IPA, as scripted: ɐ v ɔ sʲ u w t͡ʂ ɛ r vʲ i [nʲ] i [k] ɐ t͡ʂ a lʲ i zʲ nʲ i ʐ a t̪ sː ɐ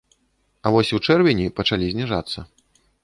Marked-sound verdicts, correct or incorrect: correct, incorrect

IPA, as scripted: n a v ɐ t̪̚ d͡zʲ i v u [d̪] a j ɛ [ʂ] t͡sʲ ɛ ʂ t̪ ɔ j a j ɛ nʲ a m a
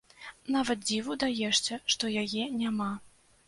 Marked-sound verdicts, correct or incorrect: correct, correct

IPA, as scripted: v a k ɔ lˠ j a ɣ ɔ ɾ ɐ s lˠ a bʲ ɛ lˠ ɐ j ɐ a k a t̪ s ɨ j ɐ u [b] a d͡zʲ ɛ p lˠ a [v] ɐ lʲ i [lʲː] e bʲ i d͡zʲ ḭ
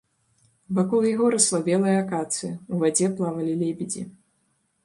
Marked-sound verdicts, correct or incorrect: incorrect, correct, incorrect

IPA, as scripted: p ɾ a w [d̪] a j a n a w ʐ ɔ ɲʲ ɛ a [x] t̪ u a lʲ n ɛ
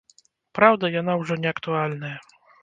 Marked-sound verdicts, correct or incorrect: correct, incorrect

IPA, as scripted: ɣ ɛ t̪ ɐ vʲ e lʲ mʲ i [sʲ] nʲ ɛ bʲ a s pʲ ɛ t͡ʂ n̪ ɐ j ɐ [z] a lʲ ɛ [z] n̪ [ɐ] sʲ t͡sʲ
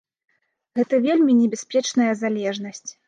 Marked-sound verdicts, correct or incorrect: incorrect, correct, incorrect, correct

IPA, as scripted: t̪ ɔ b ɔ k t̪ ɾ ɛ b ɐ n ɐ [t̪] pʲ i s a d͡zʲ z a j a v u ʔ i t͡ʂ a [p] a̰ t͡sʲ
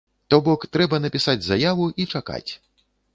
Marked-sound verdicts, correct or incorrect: incorrect, incorrect

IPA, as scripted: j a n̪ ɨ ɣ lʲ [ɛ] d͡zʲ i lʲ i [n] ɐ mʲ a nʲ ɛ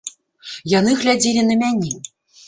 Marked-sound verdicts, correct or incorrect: incorrect, correct

